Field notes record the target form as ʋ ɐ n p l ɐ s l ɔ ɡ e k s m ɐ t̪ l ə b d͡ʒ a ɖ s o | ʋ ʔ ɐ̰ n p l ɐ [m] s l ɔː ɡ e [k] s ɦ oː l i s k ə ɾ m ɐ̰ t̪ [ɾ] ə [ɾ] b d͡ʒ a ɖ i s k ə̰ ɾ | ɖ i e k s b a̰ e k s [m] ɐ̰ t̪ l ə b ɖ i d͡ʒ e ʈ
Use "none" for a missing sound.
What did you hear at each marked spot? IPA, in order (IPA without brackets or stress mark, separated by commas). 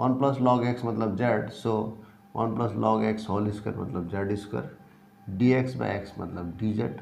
none, k, l, none, m